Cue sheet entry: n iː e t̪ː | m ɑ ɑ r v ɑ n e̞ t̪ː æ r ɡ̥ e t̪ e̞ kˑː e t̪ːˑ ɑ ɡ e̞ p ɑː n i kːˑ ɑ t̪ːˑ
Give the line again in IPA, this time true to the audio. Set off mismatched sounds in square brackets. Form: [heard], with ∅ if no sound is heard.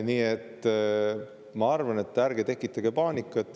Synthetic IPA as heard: n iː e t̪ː | m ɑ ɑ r v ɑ n e̞ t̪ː æ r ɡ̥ e t̪ e̞ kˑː [i] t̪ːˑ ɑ ɡ e̞ p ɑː n i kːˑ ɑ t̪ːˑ